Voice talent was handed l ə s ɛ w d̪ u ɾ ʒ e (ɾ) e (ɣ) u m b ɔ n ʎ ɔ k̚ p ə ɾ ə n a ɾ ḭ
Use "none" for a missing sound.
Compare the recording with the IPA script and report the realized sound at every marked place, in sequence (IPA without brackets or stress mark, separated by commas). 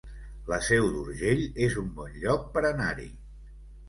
ʎ, z